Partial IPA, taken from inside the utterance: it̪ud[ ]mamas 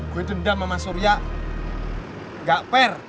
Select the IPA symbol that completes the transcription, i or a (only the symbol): a